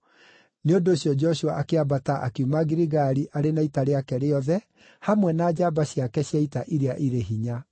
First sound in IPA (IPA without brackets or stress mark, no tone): n